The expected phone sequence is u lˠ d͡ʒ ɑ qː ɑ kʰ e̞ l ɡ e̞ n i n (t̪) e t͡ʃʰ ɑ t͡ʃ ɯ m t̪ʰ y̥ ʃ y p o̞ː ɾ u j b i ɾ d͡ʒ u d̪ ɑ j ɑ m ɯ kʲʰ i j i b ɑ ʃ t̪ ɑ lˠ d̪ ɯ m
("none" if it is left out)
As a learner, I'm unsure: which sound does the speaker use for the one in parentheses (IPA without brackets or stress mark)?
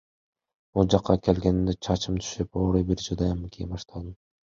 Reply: d̪